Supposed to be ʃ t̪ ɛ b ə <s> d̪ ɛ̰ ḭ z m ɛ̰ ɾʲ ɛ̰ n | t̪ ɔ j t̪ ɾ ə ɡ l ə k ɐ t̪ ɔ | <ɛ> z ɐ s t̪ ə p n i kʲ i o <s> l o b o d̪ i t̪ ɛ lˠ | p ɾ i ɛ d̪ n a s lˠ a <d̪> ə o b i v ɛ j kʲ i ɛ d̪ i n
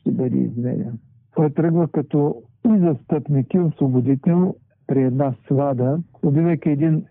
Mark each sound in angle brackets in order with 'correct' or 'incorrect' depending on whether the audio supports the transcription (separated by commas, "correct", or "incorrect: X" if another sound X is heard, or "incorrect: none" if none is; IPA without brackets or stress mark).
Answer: incorrect: none, incorrect: i, correct, correct